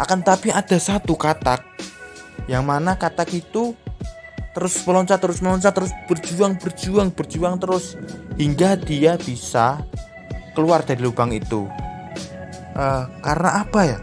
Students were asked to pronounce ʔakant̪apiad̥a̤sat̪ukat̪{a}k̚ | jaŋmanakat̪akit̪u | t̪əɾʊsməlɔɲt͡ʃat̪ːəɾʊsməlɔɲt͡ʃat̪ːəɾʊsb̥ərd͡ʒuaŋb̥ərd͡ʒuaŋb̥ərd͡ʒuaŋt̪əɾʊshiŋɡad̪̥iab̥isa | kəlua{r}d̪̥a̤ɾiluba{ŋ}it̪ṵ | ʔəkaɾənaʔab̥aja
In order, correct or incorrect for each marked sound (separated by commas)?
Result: correct, correct, correct